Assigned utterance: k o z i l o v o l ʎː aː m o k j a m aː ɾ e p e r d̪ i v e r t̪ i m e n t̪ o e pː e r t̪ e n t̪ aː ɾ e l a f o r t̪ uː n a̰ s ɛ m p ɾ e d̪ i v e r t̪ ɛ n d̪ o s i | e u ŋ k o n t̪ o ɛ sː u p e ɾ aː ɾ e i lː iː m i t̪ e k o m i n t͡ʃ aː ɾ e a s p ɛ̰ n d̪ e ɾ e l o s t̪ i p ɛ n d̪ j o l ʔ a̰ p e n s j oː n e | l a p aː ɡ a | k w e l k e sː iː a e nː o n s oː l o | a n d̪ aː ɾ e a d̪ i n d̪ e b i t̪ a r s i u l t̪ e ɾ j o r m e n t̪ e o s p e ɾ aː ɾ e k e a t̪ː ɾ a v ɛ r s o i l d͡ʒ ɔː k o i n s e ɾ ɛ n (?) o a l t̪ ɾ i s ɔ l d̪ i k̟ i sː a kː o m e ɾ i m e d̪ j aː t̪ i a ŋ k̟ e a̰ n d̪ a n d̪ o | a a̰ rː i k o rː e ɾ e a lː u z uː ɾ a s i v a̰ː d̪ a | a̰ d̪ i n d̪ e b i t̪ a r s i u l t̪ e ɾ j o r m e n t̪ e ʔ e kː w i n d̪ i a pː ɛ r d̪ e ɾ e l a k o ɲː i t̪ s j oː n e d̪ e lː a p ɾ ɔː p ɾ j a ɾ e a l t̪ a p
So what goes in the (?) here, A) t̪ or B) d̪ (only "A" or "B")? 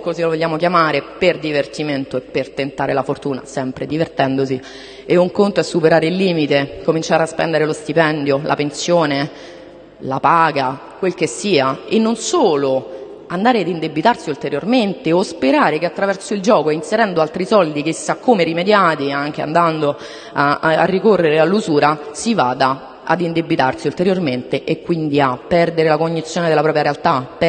B